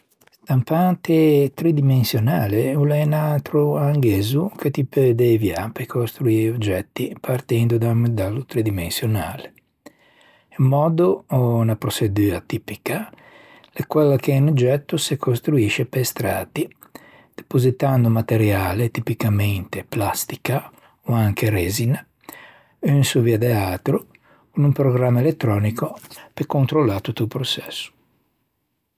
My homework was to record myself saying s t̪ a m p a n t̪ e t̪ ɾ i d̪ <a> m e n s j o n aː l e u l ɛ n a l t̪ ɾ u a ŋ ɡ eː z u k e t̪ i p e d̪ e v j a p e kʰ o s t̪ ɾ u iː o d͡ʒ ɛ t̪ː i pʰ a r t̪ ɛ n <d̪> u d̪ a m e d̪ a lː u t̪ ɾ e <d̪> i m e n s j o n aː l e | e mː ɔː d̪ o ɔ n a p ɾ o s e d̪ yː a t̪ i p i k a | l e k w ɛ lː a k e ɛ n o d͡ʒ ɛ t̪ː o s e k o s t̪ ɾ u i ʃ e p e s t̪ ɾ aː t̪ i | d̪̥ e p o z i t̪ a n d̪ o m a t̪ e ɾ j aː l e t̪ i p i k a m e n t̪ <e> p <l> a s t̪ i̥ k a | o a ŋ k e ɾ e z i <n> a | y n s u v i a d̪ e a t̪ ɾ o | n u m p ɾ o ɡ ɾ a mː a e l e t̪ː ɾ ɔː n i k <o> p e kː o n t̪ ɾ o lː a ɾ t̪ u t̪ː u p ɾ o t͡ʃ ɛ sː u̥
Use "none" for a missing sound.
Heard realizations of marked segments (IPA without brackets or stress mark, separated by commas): i, d̪, d̪, e, l, n, o